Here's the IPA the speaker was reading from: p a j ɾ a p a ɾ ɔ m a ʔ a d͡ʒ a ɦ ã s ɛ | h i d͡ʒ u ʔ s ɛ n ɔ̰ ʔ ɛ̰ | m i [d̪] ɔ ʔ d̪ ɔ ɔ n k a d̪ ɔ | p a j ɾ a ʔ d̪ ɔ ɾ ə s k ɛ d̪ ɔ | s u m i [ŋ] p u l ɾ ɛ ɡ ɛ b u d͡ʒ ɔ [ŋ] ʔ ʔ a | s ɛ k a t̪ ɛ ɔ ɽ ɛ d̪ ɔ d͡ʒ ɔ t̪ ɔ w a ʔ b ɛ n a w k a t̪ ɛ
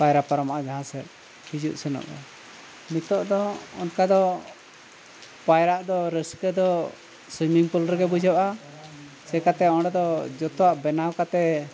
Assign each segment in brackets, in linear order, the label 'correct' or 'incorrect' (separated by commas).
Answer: incorrect, correct, incorrect